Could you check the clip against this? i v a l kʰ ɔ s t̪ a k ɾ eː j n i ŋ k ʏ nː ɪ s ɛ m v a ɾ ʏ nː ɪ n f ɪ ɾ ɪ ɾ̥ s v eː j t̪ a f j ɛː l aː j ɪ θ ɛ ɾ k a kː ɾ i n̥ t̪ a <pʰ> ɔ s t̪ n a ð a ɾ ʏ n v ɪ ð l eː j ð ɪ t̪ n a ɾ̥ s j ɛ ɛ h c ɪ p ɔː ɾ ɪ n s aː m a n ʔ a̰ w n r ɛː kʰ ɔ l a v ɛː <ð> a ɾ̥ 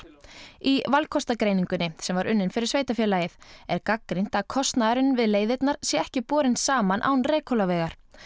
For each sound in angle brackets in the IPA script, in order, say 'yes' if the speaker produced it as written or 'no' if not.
no, no

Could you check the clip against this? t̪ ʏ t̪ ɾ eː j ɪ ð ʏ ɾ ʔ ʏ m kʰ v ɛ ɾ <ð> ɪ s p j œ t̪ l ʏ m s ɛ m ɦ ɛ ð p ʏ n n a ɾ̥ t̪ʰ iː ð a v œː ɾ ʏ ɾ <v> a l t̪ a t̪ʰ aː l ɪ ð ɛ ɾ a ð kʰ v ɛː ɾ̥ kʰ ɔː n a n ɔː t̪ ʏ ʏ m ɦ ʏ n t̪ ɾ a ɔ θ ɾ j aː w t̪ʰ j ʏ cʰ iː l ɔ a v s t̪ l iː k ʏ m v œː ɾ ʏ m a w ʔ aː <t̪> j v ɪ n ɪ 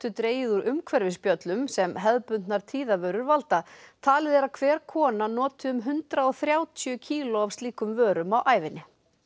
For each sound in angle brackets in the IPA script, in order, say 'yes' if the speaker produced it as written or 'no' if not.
no, yes, no

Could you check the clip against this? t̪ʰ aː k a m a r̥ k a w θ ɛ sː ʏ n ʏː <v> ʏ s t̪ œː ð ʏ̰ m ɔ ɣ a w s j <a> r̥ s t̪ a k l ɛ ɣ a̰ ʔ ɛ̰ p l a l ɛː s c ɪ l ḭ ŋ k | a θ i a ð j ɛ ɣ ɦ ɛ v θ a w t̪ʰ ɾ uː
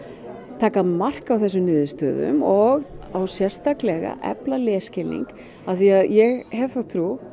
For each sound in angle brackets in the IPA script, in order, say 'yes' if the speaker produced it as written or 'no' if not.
no, no

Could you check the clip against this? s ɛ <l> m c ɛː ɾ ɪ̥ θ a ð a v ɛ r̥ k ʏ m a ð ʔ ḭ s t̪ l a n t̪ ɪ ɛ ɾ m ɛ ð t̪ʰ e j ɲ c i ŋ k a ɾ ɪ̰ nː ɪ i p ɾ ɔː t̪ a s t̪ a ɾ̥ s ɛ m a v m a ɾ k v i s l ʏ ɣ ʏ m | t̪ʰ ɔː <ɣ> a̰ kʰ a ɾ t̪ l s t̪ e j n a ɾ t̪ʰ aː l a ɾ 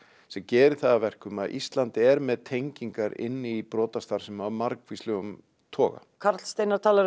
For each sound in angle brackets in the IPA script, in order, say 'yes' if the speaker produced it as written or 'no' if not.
no, yes

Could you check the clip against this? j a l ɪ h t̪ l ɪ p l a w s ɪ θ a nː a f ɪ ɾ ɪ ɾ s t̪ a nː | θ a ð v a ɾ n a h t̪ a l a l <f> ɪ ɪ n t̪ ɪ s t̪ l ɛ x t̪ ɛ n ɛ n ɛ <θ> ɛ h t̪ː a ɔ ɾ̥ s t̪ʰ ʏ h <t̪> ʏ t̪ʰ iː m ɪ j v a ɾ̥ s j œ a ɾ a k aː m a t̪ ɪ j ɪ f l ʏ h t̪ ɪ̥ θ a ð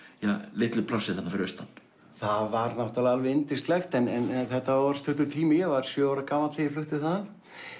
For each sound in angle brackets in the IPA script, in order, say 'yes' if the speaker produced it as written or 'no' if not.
no, yes, yes

